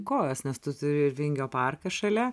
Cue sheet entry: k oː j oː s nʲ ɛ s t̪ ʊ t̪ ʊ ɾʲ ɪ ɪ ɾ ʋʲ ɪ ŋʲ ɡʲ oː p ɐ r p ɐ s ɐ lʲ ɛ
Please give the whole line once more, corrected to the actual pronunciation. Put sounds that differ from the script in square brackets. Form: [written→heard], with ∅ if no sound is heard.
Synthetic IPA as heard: k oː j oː s nʲ ɛ s t̪ ʊ t̪ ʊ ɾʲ ɪ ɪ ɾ ʋʲ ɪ ŋʲ ɡʲ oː p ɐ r [p→k] ɐ [s→ʃ] ɐ lʲ ɛ